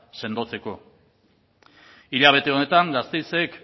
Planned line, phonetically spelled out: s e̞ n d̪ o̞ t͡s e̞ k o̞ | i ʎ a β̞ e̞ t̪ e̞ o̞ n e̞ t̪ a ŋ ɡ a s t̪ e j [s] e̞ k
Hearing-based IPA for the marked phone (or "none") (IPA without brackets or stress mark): s